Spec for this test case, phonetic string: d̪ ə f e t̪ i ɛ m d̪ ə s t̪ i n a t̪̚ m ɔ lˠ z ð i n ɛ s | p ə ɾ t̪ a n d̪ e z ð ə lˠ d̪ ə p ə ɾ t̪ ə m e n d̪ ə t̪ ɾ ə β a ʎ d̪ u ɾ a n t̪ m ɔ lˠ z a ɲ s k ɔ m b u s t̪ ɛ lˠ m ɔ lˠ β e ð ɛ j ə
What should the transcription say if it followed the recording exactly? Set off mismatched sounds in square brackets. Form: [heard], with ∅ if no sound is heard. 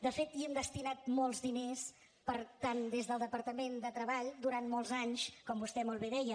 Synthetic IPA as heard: d̪ ə f e t̪ i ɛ m d̪ ə s t̪ i n a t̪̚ m ɔ lˠ z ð i n [e] s | p ə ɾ t̪ a n d̪ e z ð ə lˠ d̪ ə p ə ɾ t̪ ə m e n d̪ ə t̪ ɾ ə β a ʎ d̪ u ɾ a n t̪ m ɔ lˠ z a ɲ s k ɔ m b u s t̪ ɛ [∅] m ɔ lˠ β e ð ɛ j ə